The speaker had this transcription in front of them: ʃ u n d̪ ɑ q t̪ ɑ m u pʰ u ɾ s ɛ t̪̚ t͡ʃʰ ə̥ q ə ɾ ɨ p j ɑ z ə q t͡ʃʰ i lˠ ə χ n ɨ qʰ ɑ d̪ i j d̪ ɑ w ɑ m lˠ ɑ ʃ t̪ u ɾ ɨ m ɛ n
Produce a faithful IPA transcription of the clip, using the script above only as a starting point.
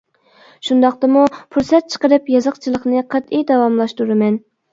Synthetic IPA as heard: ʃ u n d̪ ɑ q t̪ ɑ m u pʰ u ɾ s ɛ t̪̚ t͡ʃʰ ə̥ q ə ɾ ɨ p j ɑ z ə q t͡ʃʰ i lˠ ə χ n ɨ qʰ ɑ t̪ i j d̪ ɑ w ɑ m lˠ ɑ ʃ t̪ u ɾ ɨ m ɛ n